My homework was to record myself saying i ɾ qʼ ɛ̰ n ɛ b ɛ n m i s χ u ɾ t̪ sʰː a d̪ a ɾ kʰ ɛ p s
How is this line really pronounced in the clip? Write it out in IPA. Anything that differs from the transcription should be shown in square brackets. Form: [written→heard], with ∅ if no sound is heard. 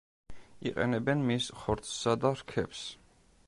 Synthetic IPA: i [ɾ→∅] qʼ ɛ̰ n ɛ b ɛ n m i s χ [u→ɔ] ɾ t̪ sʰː a d̪ a ɾ kʰ ɛ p s